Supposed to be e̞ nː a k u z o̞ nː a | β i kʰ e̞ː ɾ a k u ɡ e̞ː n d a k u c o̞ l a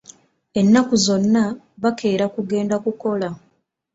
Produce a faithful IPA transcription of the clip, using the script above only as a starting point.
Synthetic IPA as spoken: e̞ nː a k u z o̞ nː a | β a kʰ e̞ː ɾ a k u ɡ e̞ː n d a k u k o̞ l a

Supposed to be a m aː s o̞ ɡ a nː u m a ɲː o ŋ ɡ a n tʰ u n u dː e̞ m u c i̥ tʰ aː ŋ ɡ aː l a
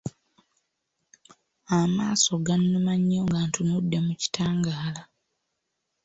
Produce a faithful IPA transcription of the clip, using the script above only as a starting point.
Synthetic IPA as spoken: a m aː s o̞ ɡ a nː u m a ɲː o ŋ ɡ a n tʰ u n u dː e̞ m u c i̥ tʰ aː ŋ ɡ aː l a

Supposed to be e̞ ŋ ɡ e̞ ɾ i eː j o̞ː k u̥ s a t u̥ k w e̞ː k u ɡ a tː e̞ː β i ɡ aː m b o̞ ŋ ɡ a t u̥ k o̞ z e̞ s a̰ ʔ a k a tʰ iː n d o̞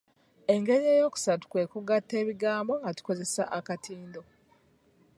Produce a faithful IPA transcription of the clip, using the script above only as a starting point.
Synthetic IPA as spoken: e̞ ŋ ɡ e̞ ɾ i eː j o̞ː k u̥ s a t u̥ k w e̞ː k u ɡ a tː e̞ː β i ɡ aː m b o̞ ŋ ɡ a t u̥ k o̞ z e̞ s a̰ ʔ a k a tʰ iː n d o̞

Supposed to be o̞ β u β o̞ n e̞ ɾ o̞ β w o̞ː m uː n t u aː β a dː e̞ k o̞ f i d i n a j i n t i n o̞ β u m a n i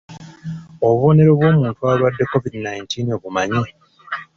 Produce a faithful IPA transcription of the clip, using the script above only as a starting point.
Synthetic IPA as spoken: o̞ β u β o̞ n e̞ ɾ o̞ β w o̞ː m uː n t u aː β a dː e̞ k o̞ v i d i n a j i n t i n o̞ β u m a ɲ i

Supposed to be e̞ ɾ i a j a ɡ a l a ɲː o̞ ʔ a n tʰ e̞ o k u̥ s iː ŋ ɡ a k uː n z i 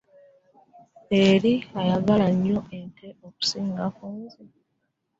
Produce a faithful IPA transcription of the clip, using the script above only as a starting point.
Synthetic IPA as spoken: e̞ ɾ i a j a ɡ a l a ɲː o̞ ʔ e n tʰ e̞ o k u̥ s iː ŋ ɡ a k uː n z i

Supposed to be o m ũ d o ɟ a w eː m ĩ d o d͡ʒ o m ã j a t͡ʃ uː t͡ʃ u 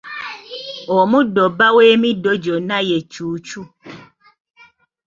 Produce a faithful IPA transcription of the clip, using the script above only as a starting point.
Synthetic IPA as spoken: o m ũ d o b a w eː m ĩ d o d͡ʒ o n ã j e t͡ʃ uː t͡ʃ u

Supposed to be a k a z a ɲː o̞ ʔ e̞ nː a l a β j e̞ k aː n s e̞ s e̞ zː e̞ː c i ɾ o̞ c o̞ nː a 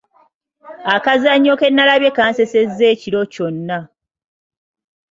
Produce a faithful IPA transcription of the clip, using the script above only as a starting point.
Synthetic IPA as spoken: a k a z a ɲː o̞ k e̞ nː a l a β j e̞ k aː n s e̞ s e̞ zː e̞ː c i ɾ o̞ c o̞ nː a

